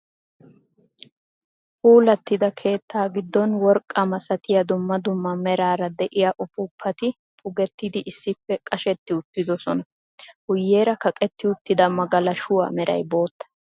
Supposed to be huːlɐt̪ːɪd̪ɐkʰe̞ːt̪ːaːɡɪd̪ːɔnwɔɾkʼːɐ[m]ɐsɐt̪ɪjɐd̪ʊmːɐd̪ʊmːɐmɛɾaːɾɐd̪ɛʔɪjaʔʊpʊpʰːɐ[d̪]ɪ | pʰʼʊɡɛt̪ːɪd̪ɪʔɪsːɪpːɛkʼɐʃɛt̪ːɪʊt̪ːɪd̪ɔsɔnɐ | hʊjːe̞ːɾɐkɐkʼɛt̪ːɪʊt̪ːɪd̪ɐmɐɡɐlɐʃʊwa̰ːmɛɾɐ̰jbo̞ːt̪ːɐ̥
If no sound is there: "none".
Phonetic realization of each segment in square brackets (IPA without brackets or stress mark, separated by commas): m, t̪